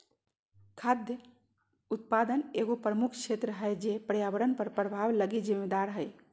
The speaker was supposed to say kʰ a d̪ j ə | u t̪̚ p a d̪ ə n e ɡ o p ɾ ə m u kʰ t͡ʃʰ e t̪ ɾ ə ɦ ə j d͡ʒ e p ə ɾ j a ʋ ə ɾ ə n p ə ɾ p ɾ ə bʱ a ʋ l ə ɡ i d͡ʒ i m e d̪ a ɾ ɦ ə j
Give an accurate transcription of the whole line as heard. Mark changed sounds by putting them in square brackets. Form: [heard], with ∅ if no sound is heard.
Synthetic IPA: kʰ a d̪ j ə | u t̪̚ p a d̪ ə n e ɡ o p ɾ ə m u kʰ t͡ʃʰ e t̪ ɾ ə ɦ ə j d͡ʒ e p ə ɾ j a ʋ ə ɾ ə n p ə ɾ p ɾ ə bʱ a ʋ l ə ɡ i d͡ʒ i m e d̪ a ɾ ɦ ə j